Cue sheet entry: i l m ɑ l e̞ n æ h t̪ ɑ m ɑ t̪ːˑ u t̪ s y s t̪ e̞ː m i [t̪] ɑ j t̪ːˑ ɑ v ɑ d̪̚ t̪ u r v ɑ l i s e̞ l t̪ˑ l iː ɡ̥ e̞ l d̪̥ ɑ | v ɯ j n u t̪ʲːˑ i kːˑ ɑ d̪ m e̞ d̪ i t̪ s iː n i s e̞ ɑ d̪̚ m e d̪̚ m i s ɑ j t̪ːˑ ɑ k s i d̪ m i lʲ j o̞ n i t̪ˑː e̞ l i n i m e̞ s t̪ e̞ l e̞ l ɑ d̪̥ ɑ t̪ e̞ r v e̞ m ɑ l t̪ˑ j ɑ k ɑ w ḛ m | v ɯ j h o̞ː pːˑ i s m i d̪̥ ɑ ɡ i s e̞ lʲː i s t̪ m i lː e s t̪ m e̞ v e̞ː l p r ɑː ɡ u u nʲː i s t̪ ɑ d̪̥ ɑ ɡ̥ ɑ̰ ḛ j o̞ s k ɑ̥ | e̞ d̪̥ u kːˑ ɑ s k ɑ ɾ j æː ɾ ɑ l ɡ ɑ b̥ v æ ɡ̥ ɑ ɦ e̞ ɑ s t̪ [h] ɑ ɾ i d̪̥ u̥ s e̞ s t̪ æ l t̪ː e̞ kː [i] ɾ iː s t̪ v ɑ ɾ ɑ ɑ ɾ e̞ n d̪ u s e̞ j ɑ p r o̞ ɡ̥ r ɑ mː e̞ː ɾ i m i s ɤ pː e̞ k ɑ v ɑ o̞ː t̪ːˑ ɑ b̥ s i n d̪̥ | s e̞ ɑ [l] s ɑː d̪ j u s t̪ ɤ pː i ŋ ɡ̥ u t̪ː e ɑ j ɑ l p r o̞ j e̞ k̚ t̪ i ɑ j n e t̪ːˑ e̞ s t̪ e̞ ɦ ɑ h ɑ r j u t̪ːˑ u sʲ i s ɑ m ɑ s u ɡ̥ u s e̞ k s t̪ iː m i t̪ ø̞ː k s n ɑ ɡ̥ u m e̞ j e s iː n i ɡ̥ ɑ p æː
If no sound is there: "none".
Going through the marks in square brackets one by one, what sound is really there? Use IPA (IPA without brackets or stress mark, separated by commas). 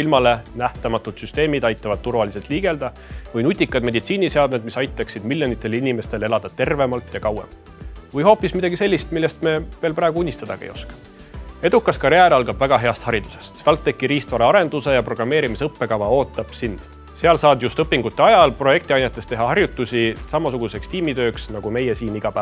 d̪, h, i, l